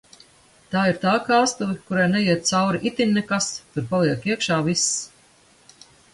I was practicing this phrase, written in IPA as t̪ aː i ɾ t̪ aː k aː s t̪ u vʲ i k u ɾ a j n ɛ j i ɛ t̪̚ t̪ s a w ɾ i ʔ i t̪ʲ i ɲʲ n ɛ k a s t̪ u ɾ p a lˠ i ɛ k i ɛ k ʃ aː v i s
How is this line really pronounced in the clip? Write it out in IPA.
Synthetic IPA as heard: t̪ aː i ɾ t̪ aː k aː s t̪ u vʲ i k u ɾ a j n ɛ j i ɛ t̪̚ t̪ s a w ɾ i ʔ i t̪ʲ i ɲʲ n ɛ k a s t̪ u ɾ p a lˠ i ɛ k i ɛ k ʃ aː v i s